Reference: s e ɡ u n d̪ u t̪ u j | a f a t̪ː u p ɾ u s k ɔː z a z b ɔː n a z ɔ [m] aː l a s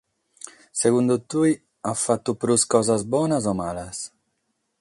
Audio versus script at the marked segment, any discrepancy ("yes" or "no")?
no